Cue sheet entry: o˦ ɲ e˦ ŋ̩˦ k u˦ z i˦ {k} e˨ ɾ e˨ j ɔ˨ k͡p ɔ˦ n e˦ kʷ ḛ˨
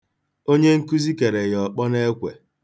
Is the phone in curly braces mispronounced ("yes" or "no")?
no